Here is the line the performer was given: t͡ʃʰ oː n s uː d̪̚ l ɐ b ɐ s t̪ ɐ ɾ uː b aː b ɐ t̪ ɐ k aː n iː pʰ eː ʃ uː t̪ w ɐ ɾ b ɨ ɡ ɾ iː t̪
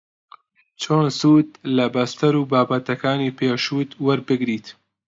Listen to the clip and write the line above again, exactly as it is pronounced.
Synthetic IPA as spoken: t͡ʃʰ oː n s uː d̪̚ l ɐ b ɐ s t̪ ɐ ɾ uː b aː b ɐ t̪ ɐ k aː n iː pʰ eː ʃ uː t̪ w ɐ ɾ b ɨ ɡ ɾ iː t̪